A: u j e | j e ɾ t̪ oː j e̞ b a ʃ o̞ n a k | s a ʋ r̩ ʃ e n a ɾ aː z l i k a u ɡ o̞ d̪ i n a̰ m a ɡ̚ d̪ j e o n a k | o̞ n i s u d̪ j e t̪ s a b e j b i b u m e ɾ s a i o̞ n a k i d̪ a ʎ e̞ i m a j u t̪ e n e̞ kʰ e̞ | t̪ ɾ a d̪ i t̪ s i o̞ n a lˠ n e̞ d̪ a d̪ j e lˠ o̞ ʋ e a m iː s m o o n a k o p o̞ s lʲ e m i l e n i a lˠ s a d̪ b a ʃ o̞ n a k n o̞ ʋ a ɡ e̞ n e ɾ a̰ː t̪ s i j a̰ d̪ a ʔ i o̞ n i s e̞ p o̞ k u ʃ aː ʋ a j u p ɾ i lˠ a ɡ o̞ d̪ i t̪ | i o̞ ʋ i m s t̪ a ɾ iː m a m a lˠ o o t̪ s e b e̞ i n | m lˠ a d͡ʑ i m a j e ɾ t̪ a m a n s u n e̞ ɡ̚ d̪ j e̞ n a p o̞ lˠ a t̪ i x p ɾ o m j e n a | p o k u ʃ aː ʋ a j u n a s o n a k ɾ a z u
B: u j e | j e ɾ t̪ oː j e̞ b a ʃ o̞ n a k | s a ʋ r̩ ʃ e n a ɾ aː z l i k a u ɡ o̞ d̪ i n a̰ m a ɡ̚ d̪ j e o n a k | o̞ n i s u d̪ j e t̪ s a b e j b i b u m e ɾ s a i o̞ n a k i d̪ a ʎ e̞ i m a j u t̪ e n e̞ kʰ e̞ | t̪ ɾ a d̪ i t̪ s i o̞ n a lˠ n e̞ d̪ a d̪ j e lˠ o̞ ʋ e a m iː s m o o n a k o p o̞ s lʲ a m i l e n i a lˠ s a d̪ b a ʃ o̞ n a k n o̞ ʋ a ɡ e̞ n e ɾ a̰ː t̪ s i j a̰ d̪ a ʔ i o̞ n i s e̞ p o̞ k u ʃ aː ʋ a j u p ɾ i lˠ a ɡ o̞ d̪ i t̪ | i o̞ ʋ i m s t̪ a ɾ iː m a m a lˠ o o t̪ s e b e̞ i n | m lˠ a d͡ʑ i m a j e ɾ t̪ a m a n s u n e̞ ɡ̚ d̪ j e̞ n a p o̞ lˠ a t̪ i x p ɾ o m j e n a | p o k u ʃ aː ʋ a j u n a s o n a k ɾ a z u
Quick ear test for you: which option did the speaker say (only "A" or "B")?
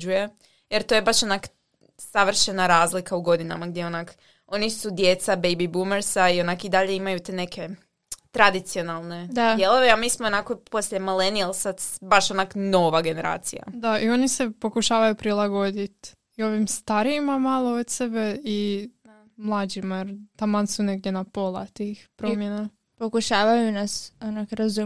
A